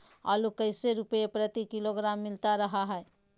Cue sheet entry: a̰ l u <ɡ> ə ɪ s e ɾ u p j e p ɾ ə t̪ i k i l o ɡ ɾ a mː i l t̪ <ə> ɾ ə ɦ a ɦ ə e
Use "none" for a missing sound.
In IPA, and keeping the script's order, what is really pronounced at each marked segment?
k, a

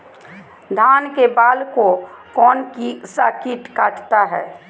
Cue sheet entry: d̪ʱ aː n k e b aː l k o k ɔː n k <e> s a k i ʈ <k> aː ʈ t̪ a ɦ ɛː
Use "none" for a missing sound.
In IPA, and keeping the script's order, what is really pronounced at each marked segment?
i, k

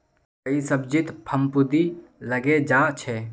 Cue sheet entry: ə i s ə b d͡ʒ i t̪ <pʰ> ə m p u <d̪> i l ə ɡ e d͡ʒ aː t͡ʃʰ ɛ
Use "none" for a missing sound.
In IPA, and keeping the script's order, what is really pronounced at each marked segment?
pʰ, d̪

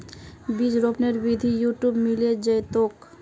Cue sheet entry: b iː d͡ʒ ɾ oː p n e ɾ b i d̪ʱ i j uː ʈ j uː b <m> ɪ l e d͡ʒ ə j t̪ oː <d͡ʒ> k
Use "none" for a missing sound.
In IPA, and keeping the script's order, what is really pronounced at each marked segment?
m, none

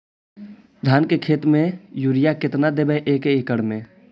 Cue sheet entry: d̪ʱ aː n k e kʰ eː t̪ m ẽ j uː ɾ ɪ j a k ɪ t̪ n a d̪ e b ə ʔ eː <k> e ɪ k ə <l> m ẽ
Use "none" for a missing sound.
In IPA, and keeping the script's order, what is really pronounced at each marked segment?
k, ɽ

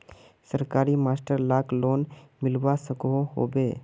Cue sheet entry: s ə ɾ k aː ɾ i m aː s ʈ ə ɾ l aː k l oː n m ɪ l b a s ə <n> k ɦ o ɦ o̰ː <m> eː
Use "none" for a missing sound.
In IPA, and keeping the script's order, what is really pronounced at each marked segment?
none, b

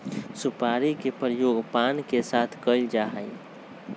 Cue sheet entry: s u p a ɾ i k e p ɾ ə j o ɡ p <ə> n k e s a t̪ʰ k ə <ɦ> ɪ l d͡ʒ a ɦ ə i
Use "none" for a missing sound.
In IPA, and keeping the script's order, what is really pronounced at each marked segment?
a, none

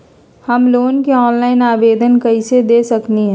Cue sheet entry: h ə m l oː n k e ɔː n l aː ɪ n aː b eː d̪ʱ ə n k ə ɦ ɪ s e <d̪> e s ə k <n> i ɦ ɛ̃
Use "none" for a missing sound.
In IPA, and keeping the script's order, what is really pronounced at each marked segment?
d̪, n

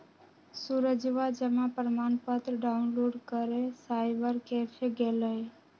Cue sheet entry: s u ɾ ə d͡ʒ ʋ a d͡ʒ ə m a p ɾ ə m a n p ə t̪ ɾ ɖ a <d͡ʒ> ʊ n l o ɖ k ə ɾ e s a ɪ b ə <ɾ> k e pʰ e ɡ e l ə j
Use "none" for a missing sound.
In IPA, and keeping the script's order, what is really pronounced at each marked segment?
none, ɾ

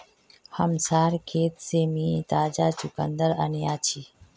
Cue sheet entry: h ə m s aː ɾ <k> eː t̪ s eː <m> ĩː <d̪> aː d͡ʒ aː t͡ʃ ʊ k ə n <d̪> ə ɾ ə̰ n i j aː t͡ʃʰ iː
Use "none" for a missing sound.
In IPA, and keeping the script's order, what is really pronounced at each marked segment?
kʰ, m, t̪, d̪

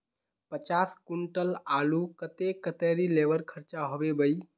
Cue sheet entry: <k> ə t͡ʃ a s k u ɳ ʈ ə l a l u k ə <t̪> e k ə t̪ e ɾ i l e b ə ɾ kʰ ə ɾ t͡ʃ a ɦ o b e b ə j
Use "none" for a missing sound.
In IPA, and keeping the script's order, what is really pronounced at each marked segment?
p, t̪

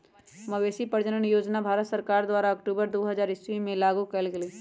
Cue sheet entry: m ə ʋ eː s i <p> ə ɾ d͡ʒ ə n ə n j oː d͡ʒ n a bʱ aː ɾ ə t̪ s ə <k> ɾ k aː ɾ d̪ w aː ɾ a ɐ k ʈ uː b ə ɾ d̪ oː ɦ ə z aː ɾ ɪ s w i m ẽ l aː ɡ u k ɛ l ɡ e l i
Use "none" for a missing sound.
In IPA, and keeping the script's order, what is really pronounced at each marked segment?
p, none

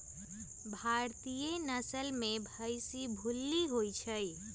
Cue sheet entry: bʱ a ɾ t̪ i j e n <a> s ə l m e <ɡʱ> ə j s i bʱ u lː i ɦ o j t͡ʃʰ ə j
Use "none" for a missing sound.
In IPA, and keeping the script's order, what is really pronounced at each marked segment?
ə, bʱ

